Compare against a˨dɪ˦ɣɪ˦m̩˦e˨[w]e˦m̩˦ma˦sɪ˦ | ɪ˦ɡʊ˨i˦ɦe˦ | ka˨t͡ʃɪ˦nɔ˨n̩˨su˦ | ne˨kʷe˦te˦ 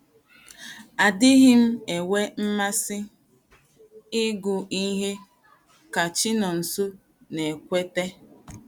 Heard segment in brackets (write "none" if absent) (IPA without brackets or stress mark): w